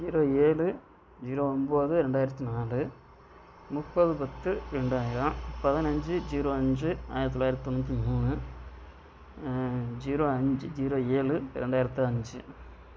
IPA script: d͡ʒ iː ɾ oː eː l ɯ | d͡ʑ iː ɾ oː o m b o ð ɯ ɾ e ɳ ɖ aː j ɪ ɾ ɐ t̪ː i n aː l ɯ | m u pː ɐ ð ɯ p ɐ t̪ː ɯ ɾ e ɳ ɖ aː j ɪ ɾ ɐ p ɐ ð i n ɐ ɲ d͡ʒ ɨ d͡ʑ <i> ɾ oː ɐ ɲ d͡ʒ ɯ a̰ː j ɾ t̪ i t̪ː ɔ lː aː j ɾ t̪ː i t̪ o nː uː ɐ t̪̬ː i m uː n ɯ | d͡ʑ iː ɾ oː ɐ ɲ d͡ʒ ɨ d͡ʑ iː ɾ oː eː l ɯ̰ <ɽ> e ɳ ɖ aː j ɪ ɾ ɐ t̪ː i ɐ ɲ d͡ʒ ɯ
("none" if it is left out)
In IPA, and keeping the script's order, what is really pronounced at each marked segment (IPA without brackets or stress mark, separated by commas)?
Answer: iː, ɾ